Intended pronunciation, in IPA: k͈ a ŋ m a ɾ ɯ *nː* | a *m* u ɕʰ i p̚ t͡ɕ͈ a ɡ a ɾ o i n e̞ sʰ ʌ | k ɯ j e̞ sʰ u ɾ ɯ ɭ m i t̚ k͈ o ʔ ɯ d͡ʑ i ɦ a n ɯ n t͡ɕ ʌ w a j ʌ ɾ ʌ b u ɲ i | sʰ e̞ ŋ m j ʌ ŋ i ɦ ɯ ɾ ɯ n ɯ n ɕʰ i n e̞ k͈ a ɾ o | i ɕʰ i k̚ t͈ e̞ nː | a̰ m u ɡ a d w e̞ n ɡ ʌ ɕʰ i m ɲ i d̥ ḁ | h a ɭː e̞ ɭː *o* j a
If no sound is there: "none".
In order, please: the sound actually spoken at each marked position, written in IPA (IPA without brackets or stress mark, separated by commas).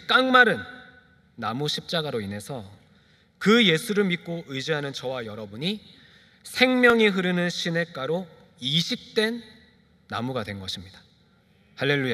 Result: nː, m, u